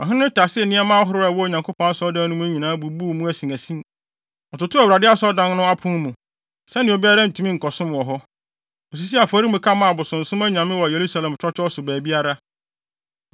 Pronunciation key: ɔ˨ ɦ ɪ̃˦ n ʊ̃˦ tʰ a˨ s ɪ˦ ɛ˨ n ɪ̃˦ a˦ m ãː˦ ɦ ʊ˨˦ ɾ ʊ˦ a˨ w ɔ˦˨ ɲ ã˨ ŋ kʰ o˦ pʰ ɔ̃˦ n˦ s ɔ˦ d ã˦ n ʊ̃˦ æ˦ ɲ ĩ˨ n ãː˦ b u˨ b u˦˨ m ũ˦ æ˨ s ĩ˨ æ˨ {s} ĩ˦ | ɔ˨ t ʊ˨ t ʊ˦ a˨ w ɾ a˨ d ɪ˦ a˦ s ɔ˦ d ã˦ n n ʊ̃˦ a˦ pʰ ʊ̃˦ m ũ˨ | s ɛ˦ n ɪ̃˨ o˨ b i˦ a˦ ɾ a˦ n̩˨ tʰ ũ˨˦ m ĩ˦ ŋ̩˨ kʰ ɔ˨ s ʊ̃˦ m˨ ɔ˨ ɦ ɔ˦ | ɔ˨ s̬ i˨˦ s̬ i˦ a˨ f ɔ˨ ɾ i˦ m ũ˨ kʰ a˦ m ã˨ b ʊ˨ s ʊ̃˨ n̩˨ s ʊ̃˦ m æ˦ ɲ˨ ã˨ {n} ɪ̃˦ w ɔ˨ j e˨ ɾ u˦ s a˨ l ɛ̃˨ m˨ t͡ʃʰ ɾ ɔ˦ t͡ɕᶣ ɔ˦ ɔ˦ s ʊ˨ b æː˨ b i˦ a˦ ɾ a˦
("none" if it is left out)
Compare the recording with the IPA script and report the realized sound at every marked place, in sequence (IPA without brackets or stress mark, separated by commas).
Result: s, m